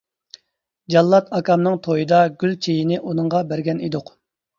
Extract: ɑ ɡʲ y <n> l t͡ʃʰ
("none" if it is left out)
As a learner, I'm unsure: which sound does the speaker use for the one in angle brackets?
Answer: none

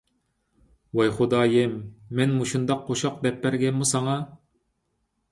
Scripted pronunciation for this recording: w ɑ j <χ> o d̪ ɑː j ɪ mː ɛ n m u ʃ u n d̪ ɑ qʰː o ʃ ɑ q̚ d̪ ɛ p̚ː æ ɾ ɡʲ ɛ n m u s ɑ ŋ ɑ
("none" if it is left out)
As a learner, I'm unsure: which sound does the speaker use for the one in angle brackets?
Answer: χ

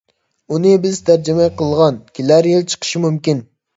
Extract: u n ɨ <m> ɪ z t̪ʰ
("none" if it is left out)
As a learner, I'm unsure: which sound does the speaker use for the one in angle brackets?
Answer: b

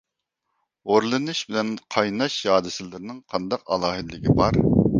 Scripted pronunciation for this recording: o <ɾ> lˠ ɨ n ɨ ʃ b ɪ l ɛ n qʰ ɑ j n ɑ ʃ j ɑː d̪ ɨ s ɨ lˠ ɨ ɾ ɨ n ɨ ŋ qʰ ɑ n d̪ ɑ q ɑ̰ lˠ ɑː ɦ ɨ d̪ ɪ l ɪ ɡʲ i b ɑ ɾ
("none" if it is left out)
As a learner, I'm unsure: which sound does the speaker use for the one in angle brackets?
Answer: ɾ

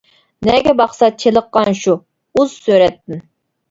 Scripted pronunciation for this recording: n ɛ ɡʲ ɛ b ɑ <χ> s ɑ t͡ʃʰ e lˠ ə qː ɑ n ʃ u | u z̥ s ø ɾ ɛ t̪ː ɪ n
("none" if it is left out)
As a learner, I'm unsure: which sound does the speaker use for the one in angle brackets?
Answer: χ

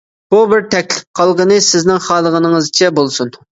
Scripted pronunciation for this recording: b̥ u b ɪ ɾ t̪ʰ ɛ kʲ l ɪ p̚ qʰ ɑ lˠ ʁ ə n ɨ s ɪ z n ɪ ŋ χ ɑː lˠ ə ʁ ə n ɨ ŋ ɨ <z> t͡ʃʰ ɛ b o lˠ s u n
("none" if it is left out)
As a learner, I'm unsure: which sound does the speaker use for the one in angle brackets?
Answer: z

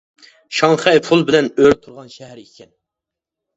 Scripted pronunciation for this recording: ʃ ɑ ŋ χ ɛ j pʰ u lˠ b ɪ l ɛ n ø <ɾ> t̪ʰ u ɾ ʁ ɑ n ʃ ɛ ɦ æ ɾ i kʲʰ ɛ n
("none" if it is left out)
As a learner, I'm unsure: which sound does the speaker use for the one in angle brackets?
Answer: ɾ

